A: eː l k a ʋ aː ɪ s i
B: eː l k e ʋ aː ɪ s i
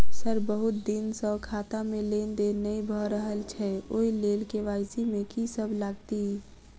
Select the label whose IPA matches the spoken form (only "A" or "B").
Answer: B